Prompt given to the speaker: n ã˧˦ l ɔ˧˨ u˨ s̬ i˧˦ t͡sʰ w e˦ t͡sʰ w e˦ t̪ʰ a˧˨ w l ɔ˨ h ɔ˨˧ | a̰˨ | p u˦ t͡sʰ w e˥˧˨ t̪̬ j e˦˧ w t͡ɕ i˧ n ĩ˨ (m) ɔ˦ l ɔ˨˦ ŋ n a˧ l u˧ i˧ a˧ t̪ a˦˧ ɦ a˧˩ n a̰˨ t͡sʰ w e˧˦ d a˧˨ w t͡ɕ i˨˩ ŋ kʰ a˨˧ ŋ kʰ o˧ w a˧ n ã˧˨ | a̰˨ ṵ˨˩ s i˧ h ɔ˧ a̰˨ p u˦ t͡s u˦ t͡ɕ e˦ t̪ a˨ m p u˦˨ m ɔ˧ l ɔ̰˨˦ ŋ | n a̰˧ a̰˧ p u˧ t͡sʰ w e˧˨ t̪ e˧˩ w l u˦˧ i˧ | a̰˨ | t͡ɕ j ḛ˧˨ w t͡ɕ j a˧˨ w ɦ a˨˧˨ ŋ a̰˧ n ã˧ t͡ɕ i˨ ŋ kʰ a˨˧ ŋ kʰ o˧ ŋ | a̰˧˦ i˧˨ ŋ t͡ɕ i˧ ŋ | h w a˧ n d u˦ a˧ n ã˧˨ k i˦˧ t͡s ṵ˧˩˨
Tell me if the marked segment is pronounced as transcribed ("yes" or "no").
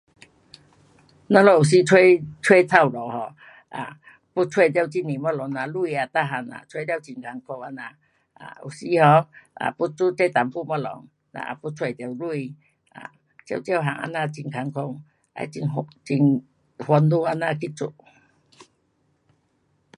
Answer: yes